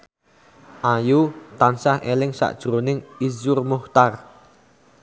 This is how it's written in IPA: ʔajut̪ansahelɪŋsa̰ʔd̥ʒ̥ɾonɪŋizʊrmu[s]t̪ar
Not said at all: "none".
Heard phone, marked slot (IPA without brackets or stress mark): h